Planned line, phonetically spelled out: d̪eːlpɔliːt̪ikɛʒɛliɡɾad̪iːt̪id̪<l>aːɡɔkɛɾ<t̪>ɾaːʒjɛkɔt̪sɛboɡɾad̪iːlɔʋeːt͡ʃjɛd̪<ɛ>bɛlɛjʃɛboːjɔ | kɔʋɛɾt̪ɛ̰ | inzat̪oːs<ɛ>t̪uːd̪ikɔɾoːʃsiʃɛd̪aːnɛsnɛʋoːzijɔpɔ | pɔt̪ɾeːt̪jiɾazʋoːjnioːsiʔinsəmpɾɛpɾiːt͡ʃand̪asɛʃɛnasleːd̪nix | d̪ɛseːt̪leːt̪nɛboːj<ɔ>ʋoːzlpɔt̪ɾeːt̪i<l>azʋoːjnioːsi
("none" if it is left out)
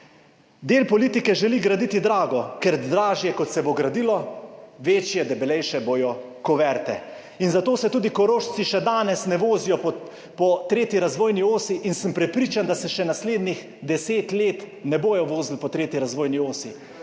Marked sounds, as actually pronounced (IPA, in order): ɾ, d̪, ɛ, ɛ, ɔ, ɾ

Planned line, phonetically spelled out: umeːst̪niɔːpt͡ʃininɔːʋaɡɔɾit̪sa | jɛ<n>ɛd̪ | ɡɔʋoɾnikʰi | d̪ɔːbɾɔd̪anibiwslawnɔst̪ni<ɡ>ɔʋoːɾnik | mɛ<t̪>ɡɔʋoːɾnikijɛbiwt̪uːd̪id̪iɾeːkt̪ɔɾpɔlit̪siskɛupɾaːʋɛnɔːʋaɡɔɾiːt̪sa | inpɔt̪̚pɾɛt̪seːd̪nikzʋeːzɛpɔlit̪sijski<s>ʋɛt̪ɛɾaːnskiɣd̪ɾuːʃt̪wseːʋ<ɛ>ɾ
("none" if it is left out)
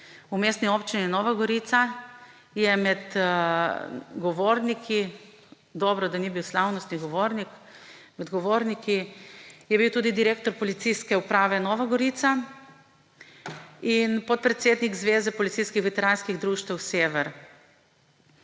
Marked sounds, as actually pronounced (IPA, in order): m, ɡ, d̪, x, ɛ

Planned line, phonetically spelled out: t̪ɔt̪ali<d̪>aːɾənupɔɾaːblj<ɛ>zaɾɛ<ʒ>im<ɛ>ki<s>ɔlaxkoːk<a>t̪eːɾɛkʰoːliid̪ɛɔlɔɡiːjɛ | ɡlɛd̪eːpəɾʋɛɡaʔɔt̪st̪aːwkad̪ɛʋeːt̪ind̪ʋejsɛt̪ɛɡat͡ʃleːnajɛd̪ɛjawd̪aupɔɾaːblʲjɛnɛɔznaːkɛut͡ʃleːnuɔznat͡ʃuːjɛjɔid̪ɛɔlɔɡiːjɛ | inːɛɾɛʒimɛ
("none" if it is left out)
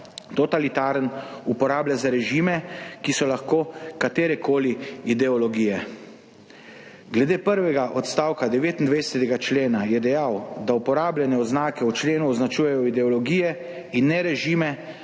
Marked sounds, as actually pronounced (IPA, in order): t̪, a, ʒ, ɛ, s, a

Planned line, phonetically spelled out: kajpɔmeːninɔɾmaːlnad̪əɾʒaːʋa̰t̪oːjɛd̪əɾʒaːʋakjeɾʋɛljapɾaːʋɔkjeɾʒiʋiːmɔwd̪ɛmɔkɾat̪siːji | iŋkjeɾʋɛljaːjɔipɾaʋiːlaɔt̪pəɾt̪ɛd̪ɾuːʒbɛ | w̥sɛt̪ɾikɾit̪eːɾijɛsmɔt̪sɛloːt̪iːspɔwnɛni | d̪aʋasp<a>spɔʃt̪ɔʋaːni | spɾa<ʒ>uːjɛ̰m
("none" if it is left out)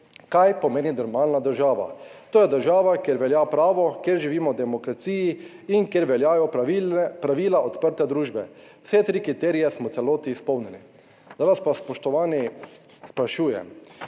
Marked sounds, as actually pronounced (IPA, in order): a, ʃ

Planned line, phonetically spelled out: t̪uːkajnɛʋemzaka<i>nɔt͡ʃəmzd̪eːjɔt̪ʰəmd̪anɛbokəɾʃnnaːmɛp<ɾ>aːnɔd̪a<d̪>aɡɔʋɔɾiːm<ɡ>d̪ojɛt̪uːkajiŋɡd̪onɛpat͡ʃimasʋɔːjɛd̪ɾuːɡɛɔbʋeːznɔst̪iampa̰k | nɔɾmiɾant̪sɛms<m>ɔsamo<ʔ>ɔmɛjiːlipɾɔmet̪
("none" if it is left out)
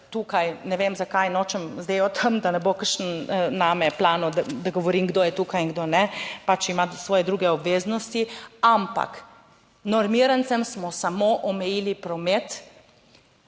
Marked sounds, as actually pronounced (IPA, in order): j, l, d̪, ɡ, m, ʔ

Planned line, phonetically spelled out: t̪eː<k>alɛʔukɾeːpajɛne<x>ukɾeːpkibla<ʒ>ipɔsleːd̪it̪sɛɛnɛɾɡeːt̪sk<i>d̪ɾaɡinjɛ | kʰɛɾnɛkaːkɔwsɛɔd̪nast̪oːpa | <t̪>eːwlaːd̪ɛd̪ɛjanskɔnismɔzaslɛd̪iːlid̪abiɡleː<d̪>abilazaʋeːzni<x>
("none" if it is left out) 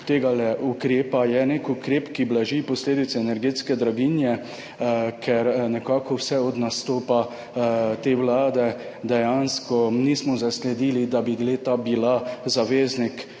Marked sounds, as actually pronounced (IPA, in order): ɡ, k, ʒ, ɛ, t̪, t̪, k

